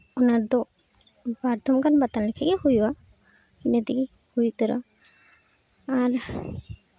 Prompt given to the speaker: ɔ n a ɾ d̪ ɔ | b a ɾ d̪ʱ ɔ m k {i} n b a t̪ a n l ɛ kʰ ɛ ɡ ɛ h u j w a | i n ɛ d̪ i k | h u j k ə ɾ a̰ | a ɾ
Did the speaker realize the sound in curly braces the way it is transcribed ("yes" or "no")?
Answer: no